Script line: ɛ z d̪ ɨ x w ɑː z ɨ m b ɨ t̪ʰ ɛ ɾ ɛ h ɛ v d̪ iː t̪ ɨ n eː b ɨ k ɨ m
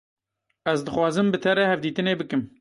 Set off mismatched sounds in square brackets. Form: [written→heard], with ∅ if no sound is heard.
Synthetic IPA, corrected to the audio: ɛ z d̪ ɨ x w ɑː z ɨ m b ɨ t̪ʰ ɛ ɾ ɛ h ɛ v d̪ iː t̪ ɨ n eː b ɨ k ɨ m